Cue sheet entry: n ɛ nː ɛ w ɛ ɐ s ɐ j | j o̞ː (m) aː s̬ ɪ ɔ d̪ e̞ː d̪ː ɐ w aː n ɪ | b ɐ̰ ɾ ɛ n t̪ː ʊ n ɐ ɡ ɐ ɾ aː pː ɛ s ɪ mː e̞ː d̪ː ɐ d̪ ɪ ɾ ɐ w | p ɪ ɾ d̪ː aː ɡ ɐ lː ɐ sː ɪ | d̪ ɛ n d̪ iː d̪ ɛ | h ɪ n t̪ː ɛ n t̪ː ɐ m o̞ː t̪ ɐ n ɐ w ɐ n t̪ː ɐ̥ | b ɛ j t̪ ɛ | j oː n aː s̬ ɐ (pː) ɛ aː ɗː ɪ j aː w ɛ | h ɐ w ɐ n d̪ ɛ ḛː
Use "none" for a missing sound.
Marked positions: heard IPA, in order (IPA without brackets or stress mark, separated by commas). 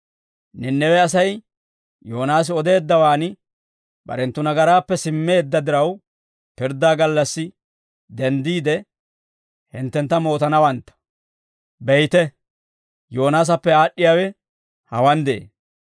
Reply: n, pː